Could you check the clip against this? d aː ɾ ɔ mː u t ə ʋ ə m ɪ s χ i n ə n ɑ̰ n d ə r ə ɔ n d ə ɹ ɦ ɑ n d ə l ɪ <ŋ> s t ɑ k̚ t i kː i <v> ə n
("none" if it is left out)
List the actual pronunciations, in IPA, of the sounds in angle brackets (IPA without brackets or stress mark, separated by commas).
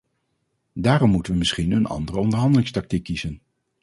ŋ, z